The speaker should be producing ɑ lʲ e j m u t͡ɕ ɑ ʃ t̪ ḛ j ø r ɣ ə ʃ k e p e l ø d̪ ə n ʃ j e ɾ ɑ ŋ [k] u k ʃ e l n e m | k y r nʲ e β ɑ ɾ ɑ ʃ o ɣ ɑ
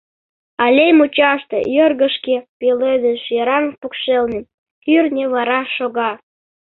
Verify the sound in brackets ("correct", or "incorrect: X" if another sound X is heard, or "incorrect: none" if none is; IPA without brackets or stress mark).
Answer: incorrect: p